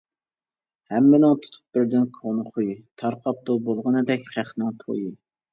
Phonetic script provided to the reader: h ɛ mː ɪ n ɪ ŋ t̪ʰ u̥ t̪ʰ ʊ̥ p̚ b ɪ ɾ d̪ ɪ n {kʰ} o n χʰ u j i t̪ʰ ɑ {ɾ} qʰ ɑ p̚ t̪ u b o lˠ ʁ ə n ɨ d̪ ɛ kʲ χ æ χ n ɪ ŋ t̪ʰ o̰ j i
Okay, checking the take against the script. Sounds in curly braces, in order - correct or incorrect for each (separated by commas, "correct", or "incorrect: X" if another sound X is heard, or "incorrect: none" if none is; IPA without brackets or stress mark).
correct, correct